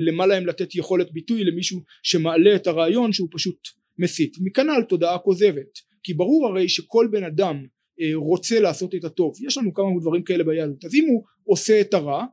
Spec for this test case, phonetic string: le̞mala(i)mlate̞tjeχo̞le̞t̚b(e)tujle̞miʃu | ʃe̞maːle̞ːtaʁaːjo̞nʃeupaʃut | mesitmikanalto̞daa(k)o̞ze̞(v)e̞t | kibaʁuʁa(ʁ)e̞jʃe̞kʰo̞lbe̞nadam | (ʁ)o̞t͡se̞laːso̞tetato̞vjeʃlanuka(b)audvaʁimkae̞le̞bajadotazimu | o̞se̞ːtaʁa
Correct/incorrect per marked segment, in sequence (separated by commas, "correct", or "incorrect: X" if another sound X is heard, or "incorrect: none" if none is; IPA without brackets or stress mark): incorrect: e, incorrect: i, correct, correct, correct, correct, incorrect: m